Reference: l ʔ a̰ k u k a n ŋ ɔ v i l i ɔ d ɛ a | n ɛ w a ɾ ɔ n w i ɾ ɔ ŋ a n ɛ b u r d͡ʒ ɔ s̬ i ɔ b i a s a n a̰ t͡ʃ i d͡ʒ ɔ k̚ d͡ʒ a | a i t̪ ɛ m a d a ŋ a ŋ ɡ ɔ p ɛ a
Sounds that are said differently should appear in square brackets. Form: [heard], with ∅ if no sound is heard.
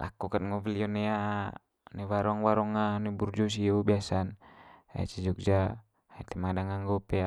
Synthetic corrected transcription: l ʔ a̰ k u k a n ŋ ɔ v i l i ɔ [n] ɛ a | n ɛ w a ɾ ɔ [ŋ] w [a] ɾ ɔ ŋ a n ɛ b u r d͡ʒ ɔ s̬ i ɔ b i a s a n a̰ t͡ʃ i d͡ʒ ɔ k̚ d͡ʒ a | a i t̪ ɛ m a d a ŋ a ŋ ɡ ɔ p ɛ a